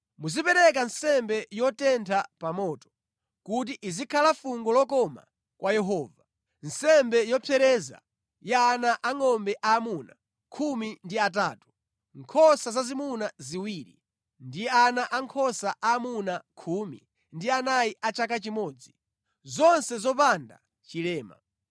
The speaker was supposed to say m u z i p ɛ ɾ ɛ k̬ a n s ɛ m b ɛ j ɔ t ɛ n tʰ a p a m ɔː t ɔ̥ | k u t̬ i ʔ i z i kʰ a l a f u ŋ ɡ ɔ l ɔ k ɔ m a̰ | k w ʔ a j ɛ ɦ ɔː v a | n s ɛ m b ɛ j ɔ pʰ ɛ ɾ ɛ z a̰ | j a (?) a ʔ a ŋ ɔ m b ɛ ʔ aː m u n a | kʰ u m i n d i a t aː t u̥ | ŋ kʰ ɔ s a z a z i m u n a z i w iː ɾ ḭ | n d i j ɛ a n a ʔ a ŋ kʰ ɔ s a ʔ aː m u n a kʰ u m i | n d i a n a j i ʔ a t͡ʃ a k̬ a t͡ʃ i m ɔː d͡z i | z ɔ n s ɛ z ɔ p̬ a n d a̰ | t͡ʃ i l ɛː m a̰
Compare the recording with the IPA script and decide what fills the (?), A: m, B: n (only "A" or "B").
B